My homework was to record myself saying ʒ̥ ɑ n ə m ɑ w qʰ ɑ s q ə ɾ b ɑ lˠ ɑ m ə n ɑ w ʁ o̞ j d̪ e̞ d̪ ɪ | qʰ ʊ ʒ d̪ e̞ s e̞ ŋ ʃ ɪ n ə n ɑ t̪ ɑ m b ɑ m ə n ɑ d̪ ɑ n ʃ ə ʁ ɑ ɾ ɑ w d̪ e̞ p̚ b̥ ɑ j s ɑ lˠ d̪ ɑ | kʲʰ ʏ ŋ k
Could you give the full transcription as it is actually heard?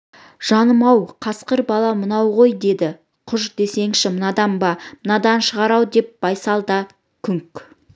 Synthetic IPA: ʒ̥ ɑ n ə m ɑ w qʰ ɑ s q ə ɾ b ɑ lˠ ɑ m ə n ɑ w ʁ o̞ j d̪ e̞ d̪ ɪ | qʰ ʊ ʒ d̪ e̞ s e̞ ŋ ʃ ɪ m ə n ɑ d̪ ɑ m b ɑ m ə n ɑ d̪ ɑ n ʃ ə ʁ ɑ ɾ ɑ w d̪ e̞ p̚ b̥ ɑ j s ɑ lˠ d̪ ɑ | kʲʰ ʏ ŋ k